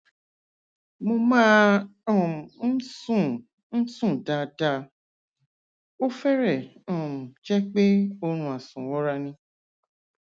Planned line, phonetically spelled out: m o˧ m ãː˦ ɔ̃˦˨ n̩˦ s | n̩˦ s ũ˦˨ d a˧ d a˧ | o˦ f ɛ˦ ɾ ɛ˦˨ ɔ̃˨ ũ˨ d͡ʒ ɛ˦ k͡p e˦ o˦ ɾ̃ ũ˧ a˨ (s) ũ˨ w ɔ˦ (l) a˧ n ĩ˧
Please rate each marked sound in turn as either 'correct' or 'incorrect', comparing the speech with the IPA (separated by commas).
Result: correct, incorrect